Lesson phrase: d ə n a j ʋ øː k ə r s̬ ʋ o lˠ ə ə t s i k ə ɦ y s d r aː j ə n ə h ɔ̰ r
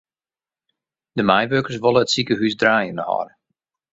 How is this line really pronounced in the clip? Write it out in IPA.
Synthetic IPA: d ə m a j ʋ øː k ə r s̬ ʋ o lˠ ə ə t s i k ə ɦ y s d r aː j ə n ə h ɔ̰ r